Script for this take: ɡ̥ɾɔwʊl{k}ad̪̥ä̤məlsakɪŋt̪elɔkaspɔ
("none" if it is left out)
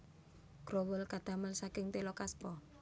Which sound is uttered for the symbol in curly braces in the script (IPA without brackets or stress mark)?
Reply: k